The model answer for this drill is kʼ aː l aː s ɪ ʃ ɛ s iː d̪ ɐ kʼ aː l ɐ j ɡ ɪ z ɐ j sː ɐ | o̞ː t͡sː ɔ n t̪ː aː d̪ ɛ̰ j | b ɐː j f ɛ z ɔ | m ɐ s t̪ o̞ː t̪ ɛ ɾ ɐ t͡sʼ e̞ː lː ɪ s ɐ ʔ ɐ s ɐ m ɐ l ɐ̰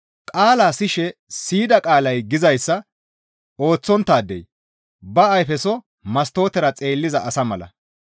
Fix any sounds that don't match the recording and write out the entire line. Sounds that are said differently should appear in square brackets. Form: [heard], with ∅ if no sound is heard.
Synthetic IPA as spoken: kʼ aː l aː s ɪ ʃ ɛ s iː d̪ ɐ kʼ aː l ɐ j ɡ ɪ z ɐ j sː ɐ | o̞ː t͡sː ɔ n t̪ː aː d̪ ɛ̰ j | b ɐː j f ɛ [s] ɔ | m ɐ s t̪ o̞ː t̪ ɛ ɾ ɐ t͡sʼ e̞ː lː ɪ [z] ɐ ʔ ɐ s ɐ m ɐ l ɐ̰